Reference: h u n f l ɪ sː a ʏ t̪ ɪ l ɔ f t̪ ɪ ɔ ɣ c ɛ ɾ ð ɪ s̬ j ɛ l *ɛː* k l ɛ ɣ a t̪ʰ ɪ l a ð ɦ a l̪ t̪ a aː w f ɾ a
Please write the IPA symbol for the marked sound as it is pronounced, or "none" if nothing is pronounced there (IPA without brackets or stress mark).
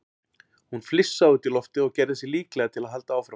iː